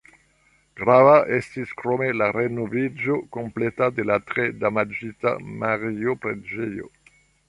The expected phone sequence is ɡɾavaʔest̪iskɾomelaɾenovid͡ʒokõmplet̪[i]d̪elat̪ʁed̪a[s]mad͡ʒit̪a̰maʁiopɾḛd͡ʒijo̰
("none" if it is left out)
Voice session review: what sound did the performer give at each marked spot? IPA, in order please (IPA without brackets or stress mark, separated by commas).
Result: a, none